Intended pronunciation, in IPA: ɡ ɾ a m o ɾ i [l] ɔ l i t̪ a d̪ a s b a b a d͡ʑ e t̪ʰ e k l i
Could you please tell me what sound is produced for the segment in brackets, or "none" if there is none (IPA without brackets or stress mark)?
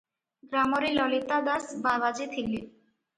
l